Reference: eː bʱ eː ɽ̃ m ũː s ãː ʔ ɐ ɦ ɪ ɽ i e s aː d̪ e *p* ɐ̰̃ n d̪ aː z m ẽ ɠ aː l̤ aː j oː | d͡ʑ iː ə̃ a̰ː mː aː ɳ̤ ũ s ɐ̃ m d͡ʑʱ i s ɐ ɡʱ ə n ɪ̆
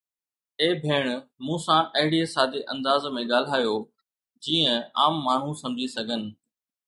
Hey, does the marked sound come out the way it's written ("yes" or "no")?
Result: no